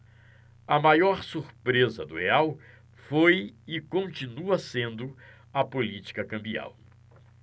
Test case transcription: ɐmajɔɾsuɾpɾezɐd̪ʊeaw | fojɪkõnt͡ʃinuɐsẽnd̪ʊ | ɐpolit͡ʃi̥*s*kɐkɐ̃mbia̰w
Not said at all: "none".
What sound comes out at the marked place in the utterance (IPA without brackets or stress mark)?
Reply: none